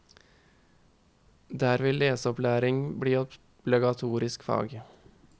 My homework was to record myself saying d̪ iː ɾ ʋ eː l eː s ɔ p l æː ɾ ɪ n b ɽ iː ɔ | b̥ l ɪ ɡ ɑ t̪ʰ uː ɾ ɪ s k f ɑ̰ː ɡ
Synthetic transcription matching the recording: d̪ æː ɾ ʋ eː l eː s ɔ p l æː ɾ ɪ ŋ b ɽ iː ɔ | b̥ l ɪ ɡ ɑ t̪ʰ uː ɾ ɪ s k f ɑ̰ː ɡ